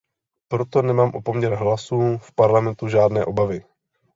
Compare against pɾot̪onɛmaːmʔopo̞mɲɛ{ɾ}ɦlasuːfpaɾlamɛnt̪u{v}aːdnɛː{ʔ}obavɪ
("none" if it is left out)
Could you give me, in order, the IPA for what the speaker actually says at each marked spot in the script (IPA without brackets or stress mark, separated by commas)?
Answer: ɾ, ʒ, ʔ